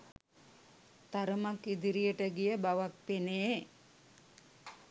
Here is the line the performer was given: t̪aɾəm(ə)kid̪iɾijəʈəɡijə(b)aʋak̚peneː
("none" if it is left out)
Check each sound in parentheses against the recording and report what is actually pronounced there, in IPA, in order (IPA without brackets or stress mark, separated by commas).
a, b